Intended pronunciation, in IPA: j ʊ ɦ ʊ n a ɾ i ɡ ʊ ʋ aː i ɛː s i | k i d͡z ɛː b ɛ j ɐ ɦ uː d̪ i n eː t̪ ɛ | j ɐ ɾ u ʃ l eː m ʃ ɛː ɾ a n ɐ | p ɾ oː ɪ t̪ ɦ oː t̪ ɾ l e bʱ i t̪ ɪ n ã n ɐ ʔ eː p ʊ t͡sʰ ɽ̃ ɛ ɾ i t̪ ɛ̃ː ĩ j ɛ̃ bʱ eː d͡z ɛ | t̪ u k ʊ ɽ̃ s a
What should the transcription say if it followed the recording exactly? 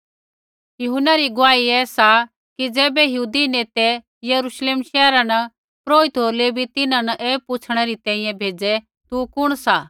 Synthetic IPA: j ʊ ɦ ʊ n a ɾ i ɡ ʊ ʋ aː i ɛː s a | k i d͡z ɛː b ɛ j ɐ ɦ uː d̪ i n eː t̪ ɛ | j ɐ ɾ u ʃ l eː m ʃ ɛː ɾ a n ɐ | p ɾ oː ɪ t̪ ɦ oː ɾ l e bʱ i t̪ ɪ n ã n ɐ ʔ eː p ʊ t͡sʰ ɽ̃ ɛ ɾ i t̪ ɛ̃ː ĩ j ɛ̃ bʱ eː d͡z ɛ | t̪ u k ʊ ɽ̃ s a